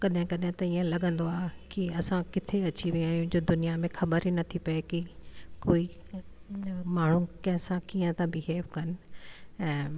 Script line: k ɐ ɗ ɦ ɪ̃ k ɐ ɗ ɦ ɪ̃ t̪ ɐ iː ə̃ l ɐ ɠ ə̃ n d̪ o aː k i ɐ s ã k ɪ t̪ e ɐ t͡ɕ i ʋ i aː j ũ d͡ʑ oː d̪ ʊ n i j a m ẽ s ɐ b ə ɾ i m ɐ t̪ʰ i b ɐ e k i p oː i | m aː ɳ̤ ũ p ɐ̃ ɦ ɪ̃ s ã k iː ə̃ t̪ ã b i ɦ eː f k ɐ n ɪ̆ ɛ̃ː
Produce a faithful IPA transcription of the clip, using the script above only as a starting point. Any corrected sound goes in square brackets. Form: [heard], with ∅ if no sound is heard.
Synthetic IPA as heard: k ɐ ɗ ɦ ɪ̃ k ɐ ɗ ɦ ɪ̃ t̪ ɐ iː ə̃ l ɐ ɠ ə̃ n d̪ o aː k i ɐ s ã k ɪ [t̪ʰ] e ɐ t͡ɕ i ʋ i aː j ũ d͡ʑ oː d̪ ʊ n i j a m ẽ [x] ɐ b ə ɾ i [n] ɐ t̪ʰ i [p] ɐ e k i [k] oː i | m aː ɳ̤ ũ [k] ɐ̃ ɦ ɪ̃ s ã k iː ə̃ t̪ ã b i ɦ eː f k ɐ n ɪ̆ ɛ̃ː

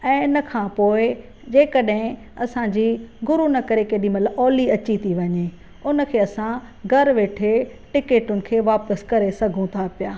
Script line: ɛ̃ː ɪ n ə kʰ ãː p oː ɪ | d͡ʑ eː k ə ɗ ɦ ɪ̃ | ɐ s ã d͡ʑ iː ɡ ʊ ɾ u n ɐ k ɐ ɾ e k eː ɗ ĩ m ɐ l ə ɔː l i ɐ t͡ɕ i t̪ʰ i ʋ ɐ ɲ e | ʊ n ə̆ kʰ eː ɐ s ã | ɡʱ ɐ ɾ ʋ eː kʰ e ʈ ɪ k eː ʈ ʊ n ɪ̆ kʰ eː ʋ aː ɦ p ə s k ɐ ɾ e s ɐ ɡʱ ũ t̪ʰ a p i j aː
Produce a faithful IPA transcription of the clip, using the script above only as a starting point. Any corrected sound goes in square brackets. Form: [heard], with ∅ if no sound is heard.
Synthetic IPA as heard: ɛ̃ː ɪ n ə kʰ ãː p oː ɪ | d͡ʑ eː k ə ɗ ɦ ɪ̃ | ɐ s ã d͡ʑ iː ɡ ʊ ɾ u n ɐ k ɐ ɾ e k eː ɗ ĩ m ɐ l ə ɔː l i ɐ t͡ɕ i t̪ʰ i ʋ ɐ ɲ e | ʊ n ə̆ kʰ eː ɐ s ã | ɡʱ ɐ ɾ ʋ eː [ʈʰ] e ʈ ɪ k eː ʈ ʊ n ɪ̆ kʰ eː ʋ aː [∅] p ə s k ɐ ɾ e s ɐ ɡʱ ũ t̪ʰ a p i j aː

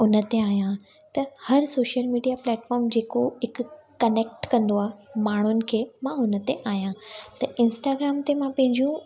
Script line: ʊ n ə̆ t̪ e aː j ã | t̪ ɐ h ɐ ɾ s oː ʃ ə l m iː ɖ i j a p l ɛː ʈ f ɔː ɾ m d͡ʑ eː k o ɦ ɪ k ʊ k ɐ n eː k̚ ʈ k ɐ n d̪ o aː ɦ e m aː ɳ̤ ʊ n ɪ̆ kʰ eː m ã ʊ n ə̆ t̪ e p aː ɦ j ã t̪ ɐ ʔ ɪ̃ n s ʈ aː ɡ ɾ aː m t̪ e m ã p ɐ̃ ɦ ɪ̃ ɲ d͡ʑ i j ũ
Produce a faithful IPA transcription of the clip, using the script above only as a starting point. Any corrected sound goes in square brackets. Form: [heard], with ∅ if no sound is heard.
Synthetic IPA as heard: ʊ n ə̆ t̪ e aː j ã | t̪ ɐ h ɐ ɾ s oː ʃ ə l m iː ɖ i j a p l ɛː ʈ f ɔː ɾ m d͡ʑ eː k o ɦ ɪ k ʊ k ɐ n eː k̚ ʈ k [ɐ̃] n d̪ o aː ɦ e m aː ɳ̤ ʊ n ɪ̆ kʰ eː m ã ʊ n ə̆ t̪ e [ʔ] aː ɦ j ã t̪ ɐ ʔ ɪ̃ n s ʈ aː ɡ ɾ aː m t̪ e m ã p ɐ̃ ɦ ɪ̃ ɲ d͡ʑ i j ũ

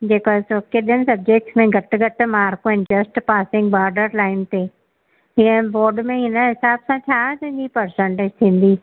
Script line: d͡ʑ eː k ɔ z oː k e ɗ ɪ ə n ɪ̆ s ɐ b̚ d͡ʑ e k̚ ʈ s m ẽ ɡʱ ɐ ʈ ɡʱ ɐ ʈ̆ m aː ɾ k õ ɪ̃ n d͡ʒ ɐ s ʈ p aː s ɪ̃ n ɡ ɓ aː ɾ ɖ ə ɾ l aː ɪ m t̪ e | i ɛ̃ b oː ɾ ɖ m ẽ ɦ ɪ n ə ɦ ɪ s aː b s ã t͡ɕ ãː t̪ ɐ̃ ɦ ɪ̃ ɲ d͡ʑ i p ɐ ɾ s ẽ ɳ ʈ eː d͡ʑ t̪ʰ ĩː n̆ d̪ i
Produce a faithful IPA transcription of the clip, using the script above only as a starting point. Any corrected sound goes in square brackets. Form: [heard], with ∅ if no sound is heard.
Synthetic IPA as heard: d͡ʑ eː k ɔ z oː k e ɗ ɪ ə n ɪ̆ s ɐ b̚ d͡ʑ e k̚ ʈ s m ẽ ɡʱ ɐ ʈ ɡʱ ɐ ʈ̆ m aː ɾ k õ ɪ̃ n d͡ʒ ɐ s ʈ p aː s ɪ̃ [ŋ] ɡ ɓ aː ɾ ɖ ə ɾ l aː ɪ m t̪ e | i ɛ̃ b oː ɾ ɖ m ẽ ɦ ɪ n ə ɦ ɪ s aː b s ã [t͡ɕʰ] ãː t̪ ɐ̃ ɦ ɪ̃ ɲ d͡ʑ i p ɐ ɾ s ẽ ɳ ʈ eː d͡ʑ t̪ʰ ĩː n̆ d̪ i

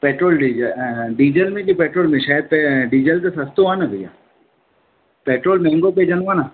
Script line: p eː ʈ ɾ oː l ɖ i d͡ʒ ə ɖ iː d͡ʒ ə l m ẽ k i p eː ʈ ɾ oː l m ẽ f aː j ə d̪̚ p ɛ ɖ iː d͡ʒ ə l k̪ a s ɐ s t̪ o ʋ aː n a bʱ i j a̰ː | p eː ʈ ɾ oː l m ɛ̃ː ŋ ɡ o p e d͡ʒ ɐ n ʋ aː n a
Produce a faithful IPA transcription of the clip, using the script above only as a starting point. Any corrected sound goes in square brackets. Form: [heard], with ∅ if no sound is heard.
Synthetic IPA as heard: p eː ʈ ɾ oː l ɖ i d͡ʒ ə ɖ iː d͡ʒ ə l m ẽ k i p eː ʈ ɾ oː l m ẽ [ʃ] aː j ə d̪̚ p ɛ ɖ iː d͡ʒ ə l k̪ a s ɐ s t̪ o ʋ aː n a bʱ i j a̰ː | p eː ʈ ɾ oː l m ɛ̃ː ŋ ɡ o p e d͡ʒ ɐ n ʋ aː n a

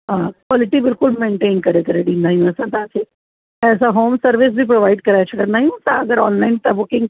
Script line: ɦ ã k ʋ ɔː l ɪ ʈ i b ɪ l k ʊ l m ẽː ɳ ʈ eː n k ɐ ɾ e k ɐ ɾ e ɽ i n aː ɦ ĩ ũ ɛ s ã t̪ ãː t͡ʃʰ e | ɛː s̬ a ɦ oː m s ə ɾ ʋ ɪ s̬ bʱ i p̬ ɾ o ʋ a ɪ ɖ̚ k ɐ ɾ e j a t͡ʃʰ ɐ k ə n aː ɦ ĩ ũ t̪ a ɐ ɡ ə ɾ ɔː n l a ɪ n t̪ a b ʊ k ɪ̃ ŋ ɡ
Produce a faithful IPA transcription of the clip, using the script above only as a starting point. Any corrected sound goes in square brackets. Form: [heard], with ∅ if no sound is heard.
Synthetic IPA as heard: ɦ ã k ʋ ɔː l ɪ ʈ i b ɪ l k ʊ l m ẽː ɳ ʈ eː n k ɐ ɾ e k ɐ ɾ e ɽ i n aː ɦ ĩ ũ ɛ s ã t̪ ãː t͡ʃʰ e | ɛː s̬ a ɦ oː m s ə ɾ ʋ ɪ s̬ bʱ i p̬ ɾ o ʋ a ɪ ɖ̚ k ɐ ɾ [a] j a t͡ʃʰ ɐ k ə n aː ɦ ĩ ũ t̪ a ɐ ɡ ə ɾ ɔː n l a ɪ n t̪ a b ʊ k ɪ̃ ŋ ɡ

